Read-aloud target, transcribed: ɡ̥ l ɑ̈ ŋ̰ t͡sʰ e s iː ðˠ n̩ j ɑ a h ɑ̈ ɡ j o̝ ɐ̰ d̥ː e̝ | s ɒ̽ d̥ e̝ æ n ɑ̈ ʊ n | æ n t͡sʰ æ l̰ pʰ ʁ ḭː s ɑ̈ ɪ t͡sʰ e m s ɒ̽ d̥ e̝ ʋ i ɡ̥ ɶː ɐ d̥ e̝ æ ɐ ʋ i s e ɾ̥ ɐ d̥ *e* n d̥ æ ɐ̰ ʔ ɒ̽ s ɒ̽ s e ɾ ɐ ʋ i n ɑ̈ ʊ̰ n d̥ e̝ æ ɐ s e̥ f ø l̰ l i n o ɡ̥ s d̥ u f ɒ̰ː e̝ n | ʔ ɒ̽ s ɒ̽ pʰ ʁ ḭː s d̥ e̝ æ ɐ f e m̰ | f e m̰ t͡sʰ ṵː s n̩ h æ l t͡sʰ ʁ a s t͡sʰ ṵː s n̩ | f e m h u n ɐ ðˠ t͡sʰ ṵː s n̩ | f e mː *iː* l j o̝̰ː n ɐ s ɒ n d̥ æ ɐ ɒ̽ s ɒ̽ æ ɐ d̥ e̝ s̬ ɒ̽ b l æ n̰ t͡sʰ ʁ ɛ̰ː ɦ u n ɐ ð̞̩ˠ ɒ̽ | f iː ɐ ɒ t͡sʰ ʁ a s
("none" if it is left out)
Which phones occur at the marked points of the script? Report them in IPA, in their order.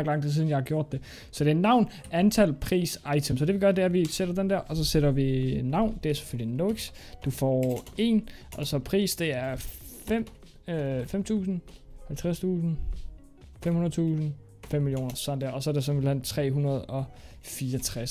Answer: e, i

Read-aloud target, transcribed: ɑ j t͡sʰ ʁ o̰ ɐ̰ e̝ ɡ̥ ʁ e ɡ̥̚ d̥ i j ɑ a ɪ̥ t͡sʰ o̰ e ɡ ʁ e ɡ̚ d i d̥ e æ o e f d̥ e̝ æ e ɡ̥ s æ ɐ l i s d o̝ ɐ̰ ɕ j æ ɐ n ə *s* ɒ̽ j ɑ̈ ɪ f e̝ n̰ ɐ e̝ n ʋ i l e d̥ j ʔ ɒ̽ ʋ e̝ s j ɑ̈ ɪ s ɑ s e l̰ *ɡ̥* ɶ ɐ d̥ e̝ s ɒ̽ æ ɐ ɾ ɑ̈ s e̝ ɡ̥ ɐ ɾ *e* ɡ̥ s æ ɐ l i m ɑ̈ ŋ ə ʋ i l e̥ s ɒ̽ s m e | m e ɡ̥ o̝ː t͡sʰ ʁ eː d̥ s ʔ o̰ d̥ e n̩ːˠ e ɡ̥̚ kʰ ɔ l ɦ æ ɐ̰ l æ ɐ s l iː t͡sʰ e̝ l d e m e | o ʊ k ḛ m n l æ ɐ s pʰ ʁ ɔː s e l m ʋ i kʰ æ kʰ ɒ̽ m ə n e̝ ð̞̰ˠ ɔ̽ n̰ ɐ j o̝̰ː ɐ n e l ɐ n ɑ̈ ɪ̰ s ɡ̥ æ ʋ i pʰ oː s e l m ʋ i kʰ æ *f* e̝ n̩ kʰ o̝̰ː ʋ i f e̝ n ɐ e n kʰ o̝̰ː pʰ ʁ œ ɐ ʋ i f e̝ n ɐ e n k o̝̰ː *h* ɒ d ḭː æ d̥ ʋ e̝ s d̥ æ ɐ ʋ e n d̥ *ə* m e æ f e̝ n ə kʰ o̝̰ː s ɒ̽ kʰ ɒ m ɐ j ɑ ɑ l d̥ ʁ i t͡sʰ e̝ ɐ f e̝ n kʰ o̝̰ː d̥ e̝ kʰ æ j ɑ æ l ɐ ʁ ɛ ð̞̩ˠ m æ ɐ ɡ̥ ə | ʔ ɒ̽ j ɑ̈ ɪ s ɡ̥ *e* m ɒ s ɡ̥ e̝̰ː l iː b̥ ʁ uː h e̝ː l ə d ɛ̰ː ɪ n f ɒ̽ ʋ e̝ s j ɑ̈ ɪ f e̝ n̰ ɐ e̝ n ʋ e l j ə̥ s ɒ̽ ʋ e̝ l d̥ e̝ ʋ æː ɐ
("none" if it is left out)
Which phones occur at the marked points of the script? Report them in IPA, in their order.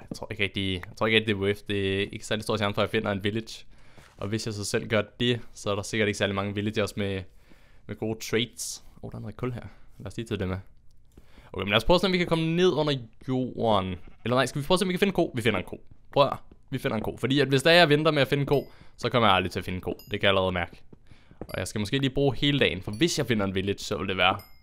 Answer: f, ɡ̥, e, f, f, ɐ, æ

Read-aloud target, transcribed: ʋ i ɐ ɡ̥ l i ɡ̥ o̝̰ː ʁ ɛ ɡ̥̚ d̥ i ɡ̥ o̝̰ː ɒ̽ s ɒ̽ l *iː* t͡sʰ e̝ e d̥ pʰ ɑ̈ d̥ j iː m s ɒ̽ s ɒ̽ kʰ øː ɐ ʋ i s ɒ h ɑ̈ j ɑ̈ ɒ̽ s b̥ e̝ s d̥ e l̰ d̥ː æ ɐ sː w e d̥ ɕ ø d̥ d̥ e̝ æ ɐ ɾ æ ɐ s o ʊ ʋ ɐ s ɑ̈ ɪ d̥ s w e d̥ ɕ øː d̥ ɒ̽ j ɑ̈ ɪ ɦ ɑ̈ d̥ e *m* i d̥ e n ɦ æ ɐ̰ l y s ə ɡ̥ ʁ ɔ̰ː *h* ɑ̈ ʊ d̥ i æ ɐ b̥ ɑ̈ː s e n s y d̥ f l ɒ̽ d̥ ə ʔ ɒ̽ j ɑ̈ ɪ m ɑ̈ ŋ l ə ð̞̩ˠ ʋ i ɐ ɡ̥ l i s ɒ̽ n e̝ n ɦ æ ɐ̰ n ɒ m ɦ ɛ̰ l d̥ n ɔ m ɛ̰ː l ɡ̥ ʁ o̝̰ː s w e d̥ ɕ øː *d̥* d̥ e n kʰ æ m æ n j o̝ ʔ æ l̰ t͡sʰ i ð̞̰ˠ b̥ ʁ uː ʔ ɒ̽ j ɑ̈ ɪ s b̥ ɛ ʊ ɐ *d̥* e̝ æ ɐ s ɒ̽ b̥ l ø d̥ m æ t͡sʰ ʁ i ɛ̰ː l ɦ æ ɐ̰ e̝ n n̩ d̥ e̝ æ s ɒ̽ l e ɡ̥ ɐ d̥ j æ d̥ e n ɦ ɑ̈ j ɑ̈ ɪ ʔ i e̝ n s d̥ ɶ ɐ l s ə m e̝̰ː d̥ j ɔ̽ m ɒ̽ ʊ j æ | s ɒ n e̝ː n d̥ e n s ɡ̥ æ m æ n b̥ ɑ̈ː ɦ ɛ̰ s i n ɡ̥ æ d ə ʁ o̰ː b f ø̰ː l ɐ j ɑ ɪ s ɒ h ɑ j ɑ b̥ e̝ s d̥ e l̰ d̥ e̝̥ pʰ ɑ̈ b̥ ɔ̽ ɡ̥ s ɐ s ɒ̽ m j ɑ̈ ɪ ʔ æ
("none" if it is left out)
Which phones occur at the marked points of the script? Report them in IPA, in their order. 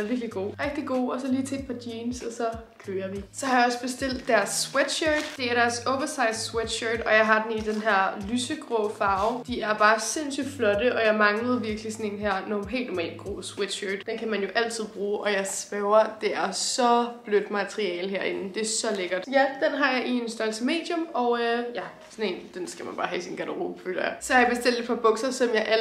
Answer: iː, n, f, d̥, d̥

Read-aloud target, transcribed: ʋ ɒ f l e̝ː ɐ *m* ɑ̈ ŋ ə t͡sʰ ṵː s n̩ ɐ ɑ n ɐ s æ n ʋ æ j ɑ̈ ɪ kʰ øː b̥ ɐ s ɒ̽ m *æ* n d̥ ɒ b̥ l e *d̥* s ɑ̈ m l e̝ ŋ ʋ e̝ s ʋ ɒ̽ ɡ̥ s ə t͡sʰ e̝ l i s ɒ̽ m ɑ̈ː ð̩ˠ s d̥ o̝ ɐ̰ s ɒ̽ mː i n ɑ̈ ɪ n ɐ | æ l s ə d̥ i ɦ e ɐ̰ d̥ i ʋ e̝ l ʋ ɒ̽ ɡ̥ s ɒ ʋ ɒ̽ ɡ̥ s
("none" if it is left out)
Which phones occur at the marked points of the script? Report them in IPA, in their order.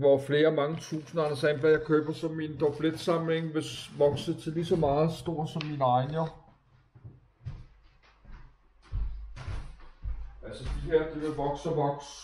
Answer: m, i, d̥

